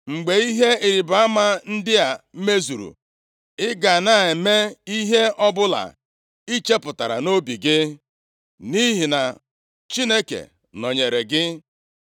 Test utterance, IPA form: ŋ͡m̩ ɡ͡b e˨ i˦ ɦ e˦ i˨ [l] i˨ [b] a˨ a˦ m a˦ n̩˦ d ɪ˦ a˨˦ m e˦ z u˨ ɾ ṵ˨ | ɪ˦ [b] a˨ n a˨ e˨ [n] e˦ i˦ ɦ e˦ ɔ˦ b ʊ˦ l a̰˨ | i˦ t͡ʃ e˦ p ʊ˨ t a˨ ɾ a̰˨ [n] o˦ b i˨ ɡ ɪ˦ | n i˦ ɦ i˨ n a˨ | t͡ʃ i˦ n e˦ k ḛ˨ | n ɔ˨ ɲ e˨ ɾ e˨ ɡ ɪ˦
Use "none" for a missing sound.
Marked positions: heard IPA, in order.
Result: ɾ, b, ɡ, m, n

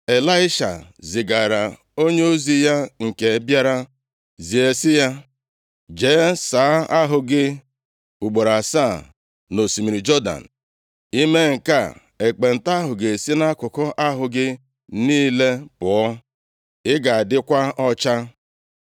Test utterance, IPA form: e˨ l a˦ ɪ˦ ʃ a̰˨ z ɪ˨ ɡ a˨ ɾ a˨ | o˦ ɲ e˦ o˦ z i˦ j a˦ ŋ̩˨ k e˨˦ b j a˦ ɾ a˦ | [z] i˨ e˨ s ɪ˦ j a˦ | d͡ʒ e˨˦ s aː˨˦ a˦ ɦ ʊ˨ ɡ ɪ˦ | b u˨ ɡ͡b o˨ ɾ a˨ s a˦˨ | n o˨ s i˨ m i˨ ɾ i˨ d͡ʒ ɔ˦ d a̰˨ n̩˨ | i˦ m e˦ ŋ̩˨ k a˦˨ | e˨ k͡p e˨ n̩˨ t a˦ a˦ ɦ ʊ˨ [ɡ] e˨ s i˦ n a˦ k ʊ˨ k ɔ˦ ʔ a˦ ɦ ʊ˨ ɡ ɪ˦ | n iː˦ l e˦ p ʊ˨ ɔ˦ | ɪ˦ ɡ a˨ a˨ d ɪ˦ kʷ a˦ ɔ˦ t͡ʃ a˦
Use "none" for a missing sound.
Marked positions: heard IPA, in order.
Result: z, ɡ

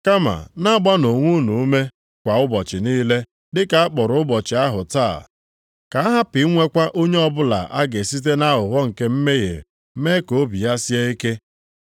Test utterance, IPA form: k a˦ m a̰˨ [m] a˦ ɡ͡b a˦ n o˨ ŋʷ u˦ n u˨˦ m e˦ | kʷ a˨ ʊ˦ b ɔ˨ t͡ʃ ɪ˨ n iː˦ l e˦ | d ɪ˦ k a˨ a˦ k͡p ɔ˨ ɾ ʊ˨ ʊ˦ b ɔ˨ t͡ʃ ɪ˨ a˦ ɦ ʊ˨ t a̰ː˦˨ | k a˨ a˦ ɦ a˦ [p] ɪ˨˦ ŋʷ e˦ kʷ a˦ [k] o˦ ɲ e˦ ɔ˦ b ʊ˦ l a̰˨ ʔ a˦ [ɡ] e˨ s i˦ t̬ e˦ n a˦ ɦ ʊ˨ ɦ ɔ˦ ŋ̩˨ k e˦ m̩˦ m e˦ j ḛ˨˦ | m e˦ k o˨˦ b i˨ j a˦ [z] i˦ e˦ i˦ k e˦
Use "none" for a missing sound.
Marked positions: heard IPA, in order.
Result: n, p, ʔ, ɡ, s

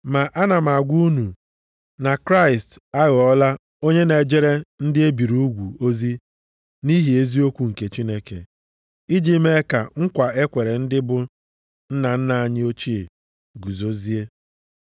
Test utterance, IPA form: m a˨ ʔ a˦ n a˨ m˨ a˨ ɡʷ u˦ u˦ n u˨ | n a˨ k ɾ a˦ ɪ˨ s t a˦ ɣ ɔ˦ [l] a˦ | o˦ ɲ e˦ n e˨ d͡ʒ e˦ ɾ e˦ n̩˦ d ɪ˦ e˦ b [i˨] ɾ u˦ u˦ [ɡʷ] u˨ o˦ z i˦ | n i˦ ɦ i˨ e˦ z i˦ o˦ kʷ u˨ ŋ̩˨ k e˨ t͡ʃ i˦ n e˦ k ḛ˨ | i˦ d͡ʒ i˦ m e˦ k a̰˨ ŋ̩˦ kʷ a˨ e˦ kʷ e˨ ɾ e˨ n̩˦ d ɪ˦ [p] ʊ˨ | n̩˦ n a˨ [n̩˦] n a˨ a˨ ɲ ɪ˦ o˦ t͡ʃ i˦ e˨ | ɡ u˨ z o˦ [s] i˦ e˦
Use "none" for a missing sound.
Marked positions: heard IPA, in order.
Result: l, i˨, ɡʷ, b, n̩˦, z

